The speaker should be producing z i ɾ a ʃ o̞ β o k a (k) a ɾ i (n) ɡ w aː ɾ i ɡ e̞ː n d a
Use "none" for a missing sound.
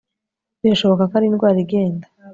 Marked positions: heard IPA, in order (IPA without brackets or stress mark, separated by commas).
k, n